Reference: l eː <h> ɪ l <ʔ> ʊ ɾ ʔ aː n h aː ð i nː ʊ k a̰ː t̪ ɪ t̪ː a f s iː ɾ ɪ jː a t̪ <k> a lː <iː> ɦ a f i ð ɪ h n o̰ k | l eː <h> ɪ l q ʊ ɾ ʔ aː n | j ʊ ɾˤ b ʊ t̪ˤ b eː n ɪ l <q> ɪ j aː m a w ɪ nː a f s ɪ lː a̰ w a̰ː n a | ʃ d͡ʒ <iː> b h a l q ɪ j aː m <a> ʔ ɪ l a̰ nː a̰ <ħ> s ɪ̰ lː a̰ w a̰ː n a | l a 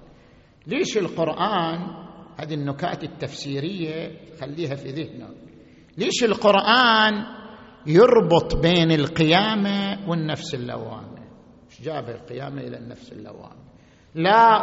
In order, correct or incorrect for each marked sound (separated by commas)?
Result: incorrect, incorrect, incorrect, correct, incorrect, correct, incorrect, correct, incorrect